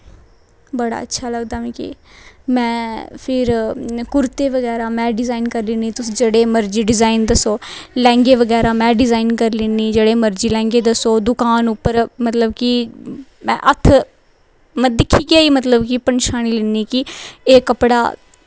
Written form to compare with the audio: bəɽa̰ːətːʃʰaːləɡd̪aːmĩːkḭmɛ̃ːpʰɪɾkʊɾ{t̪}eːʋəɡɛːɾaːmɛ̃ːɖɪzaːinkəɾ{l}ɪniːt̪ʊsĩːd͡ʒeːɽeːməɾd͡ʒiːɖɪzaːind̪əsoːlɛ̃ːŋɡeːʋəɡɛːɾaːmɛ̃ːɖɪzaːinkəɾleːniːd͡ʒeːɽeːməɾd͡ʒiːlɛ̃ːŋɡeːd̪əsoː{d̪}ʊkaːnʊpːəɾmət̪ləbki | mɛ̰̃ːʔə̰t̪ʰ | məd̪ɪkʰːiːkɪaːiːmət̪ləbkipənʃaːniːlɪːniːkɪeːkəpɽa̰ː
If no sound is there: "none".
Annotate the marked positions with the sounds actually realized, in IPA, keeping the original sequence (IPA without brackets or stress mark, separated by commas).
t̪, l, d̪